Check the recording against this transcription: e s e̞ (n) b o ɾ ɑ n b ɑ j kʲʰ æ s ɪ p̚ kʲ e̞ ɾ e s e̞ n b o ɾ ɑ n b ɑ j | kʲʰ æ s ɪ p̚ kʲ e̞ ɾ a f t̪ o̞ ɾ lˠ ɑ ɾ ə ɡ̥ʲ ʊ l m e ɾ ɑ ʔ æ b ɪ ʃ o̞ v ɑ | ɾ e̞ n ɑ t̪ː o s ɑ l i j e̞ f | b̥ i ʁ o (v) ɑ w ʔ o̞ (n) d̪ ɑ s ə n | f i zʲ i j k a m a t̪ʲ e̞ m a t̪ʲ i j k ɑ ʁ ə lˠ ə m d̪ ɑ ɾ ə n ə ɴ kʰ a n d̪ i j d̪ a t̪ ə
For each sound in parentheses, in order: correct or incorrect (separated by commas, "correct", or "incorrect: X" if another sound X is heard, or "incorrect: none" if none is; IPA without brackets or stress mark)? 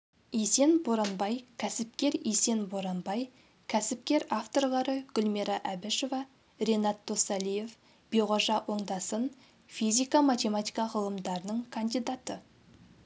correct, incorrect: ʒ, incorrect: ɴ